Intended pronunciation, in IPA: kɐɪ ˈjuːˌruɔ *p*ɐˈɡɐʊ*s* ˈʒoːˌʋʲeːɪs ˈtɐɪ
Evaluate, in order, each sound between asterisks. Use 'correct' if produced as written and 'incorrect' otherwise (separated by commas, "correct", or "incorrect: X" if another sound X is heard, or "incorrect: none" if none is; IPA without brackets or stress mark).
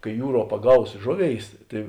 correct, correct